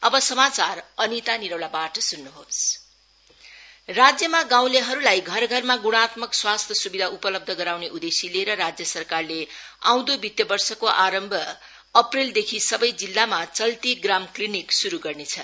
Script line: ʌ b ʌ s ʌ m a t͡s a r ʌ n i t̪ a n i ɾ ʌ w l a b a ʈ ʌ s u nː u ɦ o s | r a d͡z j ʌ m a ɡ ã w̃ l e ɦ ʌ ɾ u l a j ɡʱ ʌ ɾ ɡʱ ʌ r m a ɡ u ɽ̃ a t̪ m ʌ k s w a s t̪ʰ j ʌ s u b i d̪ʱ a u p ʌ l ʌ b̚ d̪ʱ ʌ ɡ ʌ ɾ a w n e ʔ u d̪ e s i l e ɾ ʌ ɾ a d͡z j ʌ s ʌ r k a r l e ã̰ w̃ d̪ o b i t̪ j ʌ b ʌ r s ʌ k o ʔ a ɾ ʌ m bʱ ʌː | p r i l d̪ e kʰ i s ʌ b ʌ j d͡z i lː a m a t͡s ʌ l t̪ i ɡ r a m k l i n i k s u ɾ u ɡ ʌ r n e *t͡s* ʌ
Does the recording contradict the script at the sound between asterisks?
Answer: yes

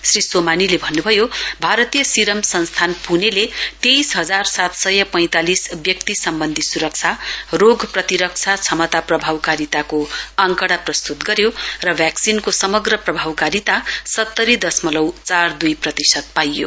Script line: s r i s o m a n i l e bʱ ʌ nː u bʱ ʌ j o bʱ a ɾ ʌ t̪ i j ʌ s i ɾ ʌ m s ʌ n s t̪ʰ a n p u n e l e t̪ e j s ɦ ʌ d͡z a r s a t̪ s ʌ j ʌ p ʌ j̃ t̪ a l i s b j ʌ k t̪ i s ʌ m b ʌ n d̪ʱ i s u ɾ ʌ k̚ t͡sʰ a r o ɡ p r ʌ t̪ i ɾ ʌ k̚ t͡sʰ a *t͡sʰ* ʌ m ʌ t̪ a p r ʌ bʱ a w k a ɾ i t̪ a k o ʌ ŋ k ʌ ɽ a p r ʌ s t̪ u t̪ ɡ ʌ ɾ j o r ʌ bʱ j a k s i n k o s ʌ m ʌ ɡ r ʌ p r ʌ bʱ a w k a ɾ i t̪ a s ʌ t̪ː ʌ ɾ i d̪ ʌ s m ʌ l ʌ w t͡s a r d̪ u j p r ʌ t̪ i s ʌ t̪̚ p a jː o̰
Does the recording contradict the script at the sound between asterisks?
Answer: no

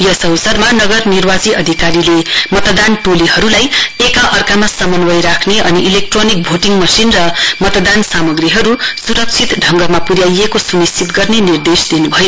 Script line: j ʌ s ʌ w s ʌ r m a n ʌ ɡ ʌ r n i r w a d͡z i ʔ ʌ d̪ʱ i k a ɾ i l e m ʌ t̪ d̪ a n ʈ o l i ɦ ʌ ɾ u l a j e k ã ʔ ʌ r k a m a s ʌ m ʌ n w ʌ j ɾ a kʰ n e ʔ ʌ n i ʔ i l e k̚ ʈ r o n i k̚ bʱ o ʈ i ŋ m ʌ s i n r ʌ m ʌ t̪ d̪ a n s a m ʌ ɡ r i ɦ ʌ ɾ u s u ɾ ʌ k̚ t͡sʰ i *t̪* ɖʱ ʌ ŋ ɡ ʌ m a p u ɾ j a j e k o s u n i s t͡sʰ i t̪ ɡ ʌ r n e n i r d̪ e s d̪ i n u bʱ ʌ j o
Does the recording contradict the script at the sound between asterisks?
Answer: no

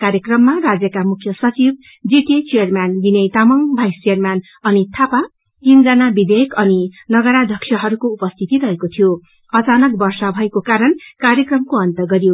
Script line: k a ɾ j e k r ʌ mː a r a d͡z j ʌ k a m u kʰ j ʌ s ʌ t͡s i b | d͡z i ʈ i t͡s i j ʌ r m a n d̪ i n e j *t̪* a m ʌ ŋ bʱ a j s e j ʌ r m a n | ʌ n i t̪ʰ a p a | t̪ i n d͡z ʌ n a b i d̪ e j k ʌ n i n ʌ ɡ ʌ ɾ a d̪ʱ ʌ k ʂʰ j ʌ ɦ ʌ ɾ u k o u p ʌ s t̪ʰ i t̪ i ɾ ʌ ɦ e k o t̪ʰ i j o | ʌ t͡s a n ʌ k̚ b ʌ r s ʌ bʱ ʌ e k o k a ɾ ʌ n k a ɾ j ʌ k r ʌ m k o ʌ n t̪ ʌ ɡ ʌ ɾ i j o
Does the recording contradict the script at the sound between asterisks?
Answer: no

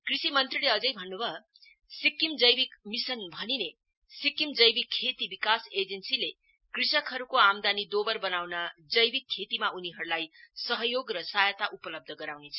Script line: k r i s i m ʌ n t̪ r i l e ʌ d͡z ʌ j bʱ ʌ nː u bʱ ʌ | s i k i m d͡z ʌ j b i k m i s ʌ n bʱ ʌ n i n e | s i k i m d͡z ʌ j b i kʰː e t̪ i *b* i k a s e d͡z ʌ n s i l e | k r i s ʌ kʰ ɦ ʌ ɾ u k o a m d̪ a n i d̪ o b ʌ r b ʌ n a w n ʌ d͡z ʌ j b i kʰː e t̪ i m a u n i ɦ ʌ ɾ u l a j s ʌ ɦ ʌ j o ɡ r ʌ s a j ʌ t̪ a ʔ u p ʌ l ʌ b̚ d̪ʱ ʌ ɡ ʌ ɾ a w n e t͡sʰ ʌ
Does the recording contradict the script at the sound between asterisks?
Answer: no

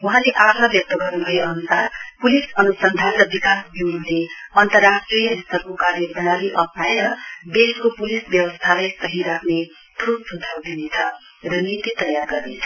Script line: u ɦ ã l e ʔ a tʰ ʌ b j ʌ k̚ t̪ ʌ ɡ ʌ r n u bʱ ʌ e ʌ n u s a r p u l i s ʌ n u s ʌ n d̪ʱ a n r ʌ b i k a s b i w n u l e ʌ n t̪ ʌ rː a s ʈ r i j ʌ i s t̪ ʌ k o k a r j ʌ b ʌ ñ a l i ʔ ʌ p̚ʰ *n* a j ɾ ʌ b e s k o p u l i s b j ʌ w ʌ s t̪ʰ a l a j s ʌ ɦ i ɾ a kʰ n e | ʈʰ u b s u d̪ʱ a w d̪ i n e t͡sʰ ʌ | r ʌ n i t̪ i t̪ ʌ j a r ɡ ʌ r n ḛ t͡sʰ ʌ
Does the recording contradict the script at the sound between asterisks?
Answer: no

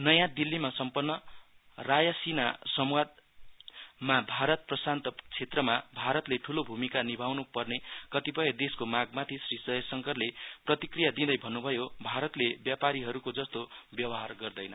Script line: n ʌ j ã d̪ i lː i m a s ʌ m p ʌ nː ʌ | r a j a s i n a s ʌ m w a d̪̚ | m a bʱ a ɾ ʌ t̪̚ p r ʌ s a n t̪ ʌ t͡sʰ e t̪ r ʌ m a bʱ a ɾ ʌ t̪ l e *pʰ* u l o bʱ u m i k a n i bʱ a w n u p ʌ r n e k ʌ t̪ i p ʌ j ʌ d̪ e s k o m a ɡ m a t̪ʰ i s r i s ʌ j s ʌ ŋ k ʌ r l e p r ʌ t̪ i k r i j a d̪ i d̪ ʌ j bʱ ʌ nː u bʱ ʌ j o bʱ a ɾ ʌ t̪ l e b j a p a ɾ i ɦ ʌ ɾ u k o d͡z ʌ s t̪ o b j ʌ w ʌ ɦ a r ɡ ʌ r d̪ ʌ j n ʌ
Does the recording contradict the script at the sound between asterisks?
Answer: yes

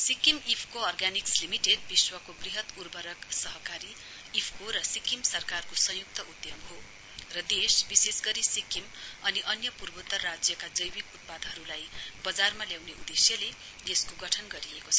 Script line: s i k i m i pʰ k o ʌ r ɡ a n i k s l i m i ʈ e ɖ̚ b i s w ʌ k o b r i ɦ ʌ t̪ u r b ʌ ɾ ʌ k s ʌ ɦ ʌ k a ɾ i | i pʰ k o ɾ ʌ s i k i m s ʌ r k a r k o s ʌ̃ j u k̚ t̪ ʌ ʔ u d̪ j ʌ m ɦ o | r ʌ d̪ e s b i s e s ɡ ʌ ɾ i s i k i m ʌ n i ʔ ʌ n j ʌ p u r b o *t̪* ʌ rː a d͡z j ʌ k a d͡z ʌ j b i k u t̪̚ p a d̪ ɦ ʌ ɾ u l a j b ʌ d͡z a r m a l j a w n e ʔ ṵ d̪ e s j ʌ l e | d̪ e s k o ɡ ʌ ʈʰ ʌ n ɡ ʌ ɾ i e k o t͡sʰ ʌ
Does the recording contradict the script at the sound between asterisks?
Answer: no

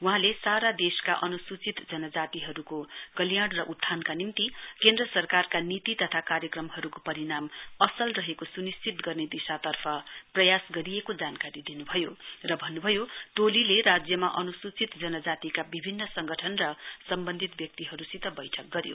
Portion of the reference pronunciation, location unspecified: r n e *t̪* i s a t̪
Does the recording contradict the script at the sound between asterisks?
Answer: yes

